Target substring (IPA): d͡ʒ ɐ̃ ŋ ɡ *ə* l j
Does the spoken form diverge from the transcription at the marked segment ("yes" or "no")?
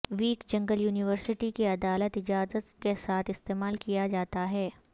no